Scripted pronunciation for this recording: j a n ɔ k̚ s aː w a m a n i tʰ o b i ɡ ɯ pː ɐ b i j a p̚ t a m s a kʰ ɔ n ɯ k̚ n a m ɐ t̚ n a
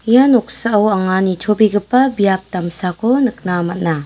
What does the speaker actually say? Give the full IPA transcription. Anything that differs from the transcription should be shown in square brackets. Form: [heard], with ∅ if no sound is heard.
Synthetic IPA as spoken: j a n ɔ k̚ s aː w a [ŋ] a n i tʰ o b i ɡ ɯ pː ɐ b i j a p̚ t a m s a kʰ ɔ n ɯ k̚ n a m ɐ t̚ n a